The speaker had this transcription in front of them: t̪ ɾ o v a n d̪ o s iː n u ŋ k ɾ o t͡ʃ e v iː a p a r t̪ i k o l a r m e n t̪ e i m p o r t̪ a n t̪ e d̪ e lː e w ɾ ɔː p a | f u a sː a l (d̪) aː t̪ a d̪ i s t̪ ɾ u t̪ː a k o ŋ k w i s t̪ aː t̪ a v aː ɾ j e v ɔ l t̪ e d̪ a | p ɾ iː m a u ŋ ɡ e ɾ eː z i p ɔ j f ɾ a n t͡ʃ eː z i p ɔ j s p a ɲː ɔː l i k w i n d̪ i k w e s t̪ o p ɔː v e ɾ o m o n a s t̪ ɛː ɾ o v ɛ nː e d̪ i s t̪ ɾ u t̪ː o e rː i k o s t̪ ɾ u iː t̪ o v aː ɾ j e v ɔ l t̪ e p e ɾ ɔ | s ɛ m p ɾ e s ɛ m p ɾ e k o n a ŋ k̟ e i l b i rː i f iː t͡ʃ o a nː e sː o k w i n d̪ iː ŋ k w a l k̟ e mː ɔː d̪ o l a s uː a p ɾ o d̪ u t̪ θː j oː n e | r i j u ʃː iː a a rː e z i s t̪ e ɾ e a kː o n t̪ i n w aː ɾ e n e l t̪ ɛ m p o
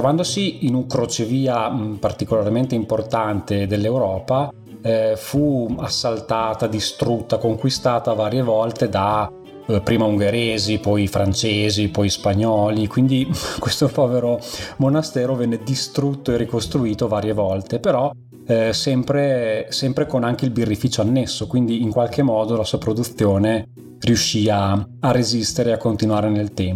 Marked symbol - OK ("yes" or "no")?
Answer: no